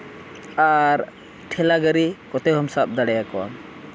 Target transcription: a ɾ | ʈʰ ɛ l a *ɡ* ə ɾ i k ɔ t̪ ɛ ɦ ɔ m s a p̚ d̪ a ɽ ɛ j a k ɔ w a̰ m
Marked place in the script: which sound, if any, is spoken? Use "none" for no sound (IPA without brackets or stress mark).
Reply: ɡ